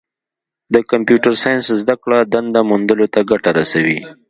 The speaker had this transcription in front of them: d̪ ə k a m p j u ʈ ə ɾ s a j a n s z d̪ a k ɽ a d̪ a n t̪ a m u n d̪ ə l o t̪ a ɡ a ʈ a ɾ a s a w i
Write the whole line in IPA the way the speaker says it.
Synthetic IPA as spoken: d̪ ə k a m p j u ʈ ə ɾ s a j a n s z d̪ a k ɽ a d̪ a n d̪ a m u n d̪ ə l o t̪ a ɡ a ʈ a ɾ a s a w i